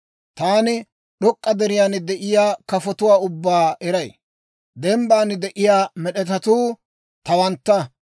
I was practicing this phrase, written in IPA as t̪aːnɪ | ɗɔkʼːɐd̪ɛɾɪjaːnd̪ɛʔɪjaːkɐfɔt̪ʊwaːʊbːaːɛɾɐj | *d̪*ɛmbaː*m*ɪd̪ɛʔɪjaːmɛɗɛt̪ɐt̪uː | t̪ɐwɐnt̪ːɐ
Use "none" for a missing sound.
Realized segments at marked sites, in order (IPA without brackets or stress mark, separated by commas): d̪, n